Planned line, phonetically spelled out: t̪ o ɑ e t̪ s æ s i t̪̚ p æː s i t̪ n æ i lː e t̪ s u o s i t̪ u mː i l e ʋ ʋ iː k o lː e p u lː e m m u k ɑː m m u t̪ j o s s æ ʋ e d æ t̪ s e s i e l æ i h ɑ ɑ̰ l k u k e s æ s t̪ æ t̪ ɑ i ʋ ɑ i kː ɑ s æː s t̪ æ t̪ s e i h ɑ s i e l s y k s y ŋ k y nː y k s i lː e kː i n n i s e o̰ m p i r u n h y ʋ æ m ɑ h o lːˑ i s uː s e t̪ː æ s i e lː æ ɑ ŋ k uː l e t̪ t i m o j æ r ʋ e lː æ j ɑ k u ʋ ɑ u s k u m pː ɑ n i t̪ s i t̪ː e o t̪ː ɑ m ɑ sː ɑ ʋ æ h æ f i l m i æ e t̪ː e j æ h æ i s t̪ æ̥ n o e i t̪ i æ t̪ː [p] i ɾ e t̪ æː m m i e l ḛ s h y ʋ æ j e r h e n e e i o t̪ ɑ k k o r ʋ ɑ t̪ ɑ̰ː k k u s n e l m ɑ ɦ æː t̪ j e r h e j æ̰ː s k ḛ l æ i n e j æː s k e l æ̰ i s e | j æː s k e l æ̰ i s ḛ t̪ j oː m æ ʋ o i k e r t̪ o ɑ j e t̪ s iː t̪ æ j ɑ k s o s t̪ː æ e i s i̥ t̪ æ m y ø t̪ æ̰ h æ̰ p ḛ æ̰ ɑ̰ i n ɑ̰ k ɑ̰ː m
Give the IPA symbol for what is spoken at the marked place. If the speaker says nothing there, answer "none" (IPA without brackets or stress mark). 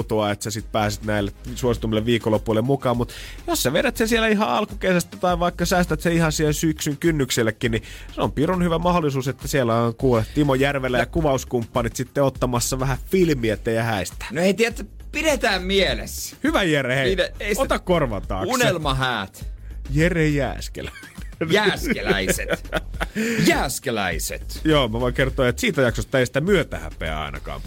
p